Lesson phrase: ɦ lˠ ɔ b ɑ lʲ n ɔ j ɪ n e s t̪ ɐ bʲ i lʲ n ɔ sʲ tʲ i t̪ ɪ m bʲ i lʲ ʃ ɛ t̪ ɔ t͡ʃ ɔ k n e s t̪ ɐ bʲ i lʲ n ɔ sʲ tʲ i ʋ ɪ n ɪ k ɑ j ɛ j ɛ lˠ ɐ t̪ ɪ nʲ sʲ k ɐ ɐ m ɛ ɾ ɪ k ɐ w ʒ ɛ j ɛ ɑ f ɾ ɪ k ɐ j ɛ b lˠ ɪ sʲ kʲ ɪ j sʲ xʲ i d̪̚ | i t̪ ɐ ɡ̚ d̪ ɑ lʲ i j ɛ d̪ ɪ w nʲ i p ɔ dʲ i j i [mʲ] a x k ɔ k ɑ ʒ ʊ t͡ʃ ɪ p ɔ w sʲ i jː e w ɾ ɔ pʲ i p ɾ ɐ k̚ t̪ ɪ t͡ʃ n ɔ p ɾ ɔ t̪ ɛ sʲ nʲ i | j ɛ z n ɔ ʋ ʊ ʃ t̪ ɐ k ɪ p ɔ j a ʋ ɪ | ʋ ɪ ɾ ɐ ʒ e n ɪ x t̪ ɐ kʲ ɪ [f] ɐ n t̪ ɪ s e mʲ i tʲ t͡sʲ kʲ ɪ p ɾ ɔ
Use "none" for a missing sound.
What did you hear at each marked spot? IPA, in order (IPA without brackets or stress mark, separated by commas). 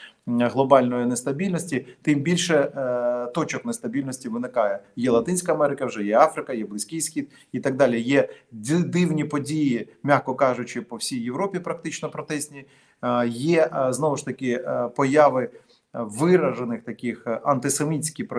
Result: mʲ, x